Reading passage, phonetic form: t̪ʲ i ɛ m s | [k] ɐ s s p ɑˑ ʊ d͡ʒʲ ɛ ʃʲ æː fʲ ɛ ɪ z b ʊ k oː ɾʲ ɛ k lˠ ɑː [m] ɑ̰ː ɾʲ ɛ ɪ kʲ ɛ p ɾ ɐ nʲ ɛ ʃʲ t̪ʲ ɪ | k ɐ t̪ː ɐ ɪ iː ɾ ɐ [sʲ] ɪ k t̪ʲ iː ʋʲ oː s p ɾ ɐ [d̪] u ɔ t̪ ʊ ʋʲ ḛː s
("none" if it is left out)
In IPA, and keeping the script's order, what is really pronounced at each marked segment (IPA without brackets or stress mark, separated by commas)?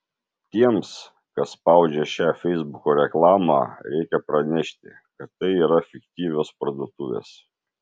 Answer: k, m, fʲ, d̪